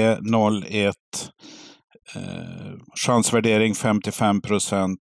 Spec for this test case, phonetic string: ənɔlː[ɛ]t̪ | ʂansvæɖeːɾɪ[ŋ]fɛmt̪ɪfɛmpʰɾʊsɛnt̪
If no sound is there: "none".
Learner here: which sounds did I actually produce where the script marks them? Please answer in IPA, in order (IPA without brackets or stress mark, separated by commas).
ɛ, ŋ